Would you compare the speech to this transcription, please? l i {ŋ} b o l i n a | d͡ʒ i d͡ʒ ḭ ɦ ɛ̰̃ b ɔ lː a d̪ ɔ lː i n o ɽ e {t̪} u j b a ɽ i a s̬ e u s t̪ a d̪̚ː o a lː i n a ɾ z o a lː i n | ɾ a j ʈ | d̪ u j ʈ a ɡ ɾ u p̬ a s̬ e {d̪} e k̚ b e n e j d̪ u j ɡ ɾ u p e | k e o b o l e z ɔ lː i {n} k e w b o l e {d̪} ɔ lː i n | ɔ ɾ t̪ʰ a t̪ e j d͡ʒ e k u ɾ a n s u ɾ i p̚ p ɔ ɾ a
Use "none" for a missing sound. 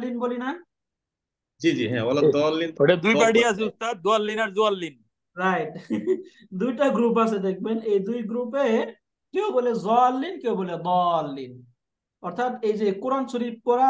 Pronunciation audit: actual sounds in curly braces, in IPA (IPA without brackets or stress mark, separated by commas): n, d̪, d̪, n, d̪